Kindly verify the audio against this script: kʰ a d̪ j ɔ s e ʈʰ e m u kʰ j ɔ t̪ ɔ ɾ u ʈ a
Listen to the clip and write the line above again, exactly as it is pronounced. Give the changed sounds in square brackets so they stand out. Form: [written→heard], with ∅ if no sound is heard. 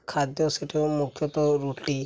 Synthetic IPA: kʰ a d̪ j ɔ s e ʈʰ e m u kʰ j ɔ t̪ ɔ ɾ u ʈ [a→i]